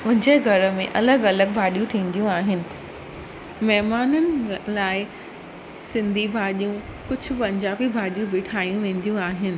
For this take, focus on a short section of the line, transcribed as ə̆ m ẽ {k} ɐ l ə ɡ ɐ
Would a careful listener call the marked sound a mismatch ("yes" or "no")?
yes